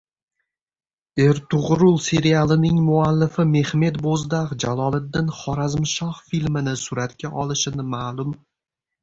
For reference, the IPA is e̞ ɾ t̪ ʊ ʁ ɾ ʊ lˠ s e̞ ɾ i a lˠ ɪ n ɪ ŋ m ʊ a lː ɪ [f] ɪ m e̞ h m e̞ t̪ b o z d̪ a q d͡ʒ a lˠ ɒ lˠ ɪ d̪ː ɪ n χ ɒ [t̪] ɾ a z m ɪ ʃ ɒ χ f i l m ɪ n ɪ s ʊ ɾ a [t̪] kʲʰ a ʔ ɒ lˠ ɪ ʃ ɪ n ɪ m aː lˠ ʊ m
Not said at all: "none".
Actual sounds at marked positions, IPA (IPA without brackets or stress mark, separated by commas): f, none, t̪